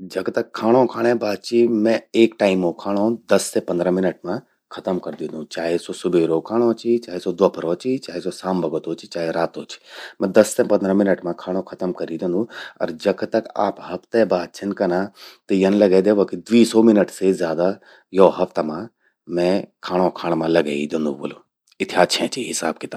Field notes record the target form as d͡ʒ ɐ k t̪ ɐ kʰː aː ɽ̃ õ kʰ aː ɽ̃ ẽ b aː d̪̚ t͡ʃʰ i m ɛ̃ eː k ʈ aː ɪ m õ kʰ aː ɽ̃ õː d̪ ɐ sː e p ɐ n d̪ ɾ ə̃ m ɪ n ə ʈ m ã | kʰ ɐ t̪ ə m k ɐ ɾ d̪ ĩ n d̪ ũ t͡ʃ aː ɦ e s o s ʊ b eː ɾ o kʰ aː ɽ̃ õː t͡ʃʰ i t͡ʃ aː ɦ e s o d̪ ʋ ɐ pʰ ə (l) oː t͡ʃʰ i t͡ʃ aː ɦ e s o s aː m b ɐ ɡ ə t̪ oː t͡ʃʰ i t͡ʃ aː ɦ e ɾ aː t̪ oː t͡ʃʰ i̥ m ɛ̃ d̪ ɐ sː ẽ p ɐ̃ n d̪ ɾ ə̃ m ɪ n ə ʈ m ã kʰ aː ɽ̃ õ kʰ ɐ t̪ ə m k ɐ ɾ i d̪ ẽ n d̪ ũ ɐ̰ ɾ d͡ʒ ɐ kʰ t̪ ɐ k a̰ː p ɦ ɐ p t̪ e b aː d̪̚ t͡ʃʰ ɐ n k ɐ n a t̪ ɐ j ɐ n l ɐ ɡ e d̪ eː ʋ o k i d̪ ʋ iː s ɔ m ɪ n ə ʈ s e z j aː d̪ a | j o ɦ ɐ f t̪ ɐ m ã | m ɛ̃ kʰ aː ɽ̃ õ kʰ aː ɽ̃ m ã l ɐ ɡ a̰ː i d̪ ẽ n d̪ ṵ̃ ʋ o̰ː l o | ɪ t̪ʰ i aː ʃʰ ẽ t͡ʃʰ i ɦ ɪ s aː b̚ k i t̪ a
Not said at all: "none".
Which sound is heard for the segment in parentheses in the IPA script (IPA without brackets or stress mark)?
ɾ